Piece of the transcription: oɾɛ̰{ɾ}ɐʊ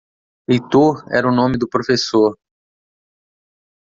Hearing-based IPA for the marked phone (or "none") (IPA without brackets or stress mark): ɾ